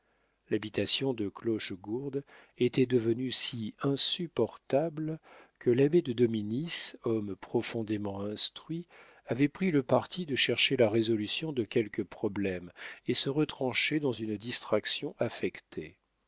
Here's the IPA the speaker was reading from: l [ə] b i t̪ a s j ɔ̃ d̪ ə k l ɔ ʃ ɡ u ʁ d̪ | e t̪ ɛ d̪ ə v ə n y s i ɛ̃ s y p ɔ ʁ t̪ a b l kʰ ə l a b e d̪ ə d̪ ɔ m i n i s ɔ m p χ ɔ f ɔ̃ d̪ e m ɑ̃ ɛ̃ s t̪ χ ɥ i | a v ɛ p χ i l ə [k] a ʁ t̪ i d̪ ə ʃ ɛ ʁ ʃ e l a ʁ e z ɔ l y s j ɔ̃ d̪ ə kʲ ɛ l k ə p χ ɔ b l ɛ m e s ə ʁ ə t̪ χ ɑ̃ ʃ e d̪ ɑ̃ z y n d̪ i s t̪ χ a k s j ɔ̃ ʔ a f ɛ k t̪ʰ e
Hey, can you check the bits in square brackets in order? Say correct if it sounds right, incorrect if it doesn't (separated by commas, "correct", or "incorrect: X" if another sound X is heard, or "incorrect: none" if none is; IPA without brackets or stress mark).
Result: incorrect: a, incorrect: p